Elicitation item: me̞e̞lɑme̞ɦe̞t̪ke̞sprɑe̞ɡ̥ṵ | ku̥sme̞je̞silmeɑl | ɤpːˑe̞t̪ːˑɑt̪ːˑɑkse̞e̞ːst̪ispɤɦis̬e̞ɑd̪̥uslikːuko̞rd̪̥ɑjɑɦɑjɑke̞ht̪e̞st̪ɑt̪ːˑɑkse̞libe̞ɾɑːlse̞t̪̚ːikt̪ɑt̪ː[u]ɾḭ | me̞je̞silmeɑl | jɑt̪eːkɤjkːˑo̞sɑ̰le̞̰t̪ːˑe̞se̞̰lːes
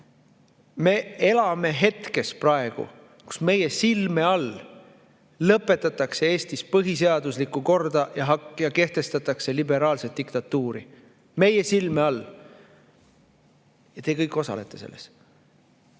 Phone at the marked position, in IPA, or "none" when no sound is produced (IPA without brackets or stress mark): uː